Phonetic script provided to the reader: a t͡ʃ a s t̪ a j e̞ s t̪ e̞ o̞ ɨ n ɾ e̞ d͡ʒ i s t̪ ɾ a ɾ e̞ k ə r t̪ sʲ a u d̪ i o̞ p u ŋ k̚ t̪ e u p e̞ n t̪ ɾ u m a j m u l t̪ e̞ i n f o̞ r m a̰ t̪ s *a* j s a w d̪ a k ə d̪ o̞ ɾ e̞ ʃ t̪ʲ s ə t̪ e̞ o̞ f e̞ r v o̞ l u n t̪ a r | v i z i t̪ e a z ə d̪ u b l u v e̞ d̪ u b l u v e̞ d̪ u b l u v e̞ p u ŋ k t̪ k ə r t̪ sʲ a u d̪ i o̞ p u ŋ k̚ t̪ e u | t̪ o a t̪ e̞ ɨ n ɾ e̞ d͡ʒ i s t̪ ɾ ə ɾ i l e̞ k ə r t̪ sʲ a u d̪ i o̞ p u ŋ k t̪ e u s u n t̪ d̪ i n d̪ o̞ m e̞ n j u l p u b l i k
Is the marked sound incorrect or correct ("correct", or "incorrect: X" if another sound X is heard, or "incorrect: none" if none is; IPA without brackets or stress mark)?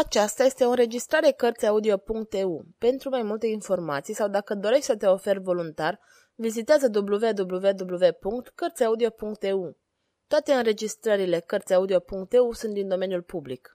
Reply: incorrect: i